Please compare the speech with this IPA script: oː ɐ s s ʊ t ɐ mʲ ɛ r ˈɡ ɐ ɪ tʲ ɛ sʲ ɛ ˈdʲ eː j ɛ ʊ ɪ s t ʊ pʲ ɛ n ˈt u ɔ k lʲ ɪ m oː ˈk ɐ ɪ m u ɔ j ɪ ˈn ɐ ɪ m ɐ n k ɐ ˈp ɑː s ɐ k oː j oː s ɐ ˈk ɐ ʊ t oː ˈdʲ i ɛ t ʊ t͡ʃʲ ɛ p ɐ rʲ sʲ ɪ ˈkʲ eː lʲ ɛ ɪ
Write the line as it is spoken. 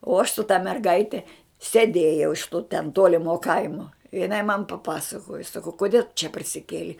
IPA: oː ɐ ʃ s ʊ t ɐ mʲ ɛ r ˈɡ ɐ ɪ tʲ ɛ sʲ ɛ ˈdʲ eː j ɛ ʊ ɪ ʃ t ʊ tʲ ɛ n ˈt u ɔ lʲ ɪ m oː ˈk ɐ ɪ m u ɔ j ɪ ˈn ɐ ɪ m ɐ n p ɐ ˈp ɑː s ɐ k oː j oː s ɐ ˈk ɐ ʊ k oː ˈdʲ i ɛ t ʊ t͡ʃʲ ɛ p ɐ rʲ sʲ ɪ ˈkʲ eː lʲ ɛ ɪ